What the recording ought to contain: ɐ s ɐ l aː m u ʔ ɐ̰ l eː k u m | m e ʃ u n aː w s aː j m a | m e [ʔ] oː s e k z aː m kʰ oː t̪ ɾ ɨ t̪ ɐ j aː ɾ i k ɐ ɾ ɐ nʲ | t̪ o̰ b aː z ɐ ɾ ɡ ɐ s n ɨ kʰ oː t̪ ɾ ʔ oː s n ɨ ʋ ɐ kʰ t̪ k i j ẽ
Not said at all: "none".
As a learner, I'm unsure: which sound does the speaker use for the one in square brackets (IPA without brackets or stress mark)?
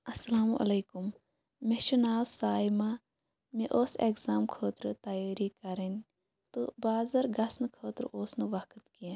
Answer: ʔ